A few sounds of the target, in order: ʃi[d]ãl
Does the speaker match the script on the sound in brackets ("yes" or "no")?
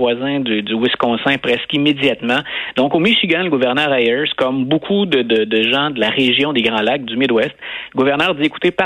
no